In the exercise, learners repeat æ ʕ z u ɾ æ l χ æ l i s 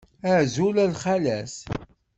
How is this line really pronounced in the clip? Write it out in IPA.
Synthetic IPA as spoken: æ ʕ z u l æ l χ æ l æ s